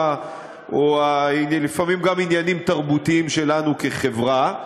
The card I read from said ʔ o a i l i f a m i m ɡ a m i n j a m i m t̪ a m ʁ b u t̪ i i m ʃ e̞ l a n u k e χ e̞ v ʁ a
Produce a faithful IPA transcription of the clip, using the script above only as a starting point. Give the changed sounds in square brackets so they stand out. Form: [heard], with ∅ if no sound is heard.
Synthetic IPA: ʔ o a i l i f a m i m ɡ a m i n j a [n] i m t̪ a [∅] ʁ b u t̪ i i m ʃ e̞ l a n u k e χ e̞ v ʁ a